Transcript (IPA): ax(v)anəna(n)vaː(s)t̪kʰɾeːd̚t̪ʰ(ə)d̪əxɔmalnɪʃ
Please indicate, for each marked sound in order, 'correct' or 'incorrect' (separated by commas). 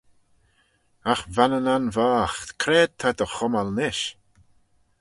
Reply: correct, correct, incorrect, incorrect